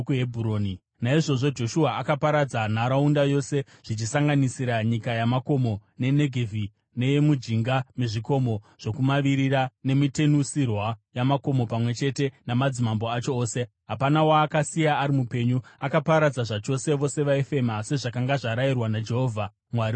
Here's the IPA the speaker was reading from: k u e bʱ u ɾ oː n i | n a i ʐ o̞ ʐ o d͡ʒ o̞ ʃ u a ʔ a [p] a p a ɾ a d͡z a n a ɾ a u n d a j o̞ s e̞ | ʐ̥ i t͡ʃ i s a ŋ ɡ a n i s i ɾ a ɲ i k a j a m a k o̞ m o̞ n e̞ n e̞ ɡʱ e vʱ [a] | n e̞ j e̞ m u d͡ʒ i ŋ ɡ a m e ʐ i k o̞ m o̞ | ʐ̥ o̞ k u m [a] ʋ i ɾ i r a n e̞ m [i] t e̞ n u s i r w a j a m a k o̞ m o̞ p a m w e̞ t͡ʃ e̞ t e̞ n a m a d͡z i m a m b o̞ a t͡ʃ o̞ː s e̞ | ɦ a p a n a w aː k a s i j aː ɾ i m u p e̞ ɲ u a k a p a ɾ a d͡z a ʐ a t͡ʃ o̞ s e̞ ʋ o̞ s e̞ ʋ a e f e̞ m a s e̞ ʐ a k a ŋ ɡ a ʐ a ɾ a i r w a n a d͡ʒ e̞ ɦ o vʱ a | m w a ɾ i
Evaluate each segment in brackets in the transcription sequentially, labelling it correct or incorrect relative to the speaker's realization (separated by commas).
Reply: incorrect, incorrect, correct, correct